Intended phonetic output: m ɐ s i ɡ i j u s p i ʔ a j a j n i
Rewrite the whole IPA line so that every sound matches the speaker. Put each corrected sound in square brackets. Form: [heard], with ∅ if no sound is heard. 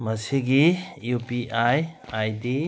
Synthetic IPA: m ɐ s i ɡ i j u [∅] p i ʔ a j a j [d] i